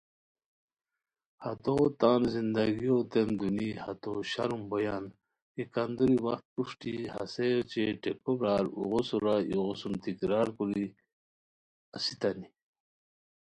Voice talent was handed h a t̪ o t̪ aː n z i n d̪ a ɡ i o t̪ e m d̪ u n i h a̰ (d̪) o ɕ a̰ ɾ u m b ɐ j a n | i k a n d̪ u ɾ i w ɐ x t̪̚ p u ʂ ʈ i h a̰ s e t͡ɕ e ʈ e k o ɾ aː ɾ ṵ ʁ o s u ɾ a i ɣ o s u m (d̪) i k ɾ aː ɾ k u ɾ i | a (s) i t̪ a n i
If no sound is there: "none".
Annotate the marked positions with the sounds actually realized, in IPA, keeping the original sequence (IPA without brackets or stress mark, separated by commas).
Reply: t̪, t̪, s